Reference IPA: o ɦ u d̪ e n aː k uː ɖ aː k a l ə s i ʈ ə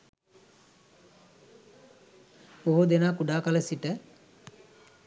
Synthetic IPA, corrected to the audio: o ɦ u d̪ e n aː k u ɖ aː k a l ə s i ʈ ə